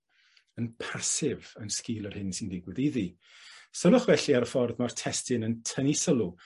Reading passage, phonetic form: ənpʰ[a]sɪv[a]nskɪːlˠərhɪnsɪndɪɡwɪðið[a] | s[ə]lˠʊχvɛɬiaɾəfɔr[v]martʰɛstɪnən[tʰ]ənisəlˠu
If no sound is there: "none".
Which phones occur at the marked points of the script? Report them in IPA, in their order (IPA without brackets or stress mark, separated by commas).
a, ə, i, ə, ð, tʰ